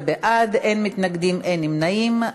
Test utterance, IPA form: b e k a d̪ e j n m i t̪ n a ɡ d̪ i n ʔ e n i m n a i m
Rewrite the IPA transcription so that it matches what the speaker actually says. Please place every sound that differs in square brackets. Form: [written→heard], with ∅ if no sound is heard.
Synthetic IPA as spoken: b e [k→ʔ] a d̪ e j n m i t̪ n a ɡ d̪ i [n→m] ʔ e n i m n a i m